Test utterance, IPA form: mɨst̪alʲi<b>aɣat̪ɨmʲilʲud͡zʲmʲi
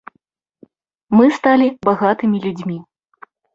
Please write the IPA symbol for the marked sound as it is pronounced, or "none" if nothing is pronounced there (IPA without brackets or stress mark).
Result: b